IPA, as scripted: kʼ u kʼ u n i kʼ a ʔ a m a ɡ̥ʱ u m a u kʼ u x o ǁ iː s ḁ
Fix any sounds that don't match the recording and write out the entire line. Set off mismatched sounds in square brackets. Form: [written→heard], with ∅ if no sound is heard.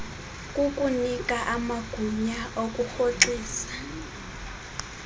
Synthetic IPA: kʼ u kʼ u n i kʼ a ʔ a m a ɡ̥ʱ u [m→ɲ] a [u→o] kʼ u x o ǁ iː s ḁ